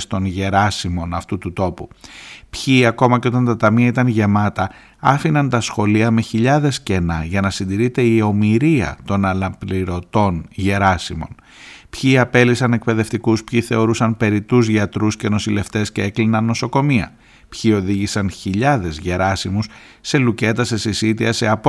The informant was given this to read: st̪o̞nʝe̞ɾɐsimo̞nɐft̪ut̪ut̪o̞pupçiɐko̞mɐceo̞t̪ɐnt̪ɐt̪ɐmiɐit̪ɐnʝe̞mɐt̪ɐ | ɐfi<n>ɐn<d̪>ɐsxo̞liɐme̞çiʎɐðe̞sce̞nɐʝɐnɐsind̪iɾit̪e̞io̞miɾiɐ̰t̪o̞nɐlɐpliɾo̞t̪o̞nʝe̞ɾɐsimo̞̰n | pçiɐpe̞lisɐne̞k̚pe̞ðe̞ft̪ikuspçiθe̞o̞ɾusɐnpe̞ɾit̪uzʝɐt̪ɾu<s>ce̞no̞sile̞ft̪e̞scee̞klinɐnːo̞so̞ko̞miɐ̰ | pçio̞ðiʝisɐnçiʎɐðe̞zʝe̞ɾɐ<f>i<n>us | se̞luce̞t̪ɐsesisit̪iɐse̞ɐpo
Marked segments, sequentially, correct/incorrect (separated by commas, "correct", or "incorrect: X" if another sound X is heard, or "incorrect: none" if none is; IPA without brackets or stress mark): correct, incorrect: t̪, correct, incorrect: s, incorrect: m